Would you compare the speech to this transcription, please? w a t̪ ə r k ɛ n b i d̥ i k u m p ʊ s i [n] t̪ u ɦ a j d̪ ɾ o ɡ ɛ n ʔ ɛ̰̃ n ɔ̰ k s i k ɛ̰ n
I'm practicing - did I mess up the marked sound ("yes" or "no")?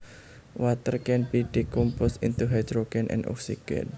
no